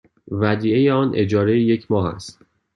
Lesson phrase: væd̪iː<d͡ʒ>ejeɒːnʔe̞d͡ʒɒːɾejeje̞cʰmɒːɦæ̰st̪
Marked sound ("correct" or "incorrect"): incorrect